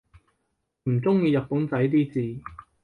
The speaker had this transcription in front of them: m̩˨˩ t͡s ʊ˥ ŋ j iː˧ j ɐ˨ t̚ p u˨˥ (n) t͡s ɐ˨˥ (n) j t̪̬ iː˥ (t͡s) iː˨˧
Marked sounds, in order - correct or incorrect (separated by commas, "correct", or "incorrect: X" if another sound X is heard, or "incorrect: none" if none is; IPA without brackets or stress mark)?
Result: correct, incorrect: none, correct